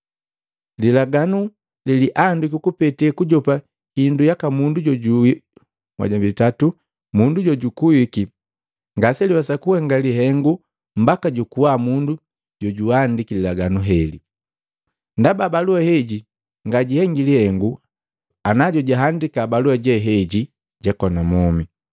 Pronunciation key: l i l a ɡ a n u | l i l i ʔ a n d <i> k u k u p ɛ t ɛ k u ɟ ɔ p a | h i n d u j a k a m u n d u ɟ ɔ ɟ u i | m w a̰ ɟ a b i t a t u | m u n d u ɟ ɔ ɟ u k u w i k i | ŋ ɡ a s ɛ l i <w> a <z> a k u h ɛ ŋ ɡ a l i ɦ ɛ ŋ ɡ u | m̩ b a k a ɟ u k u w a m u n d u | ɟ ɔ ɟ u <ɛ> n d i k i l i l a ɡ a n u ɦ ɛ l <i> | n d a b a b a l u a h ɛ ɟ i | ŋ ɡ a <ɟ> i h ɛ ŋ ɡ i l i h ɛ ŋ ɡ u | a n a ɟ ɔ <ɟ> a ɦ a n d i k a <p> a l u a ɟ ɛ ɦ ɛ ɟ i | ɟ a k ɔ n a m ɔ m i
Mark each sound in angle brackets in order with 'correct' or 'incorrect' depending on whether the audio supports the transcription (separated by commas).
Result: correct, correct, incorrect, incorrect, correct, correct, correct, incorrect